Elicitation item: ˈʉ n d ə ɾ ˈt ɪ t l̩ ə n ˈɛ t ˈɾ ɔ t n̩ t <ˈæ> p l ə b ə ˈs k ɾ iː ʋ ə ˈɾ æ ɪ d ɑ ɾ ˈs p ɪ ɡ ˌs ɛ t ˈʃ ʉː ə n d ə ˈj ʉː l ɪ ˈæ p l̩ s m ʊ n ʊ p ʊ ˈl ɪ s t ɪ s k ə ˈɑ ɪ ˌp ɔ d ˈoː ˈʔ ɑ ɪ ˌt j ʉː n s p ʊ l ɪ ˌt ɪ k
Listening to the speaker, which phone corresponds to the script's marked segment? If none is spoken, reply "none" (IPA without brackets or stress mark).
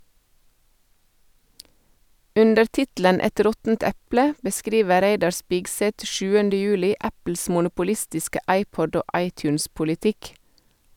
ɛ